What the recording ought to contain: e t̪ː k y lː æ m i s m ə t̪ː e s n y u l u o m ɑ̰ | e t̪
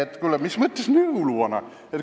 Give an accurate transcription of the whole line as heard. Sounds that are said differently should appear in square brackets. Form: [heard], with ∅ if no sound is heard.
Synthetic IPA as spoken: e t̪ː k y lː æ m i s m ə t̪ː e s n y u l u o [n] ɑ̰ | e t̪